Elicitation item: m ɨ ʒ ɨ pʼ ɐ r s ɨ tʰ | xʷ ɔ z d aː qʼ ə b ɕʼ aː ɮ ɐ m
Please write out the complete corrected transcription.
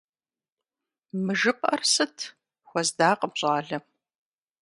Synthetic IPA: m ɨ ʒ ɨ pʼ ɐ r s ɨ tʰ | xʷ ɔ z d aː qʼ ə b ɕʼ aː ɮ ɐ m